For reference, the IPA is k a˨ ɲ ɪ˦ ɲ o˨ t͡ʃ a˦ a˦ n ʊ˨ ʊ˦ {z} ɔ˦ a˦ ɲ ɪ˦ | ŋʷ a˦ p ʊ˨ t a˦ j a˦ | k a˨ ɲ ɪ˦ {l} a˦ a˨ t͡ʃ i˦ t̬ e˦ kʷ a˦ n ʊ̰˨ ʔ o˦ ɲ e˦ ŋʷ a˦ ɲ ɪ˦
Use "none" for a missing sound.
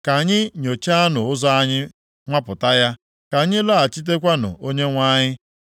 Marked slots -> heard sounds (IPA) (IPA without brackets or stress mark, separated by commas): z, l